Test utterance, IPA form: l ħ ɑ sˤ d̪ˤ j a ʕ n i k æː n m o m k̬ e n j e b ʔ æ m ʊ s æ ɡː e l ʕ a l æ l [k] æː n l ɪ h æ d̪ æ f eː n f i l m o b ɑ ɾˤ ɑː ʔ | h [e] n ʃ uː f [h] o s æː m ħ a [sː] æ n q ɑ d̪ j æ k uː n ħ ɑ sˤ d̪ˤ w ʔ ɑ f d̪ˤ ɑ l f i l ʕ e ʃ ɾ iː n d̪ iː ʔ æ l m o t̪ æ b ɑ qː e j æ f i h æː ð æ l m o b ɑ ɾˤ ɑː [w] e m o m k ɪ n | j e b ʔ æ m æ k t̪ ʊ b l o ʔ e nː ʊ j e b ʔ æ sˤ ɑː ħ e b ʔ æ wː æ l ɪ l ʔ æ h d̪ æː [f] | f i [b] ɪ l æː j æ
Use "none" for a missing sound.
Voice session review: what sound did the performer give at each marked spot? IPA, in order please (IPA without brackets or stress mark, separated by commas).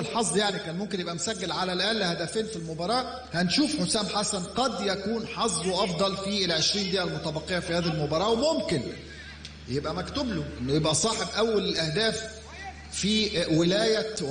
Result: ʔ, æ, ħ, s, w, f, w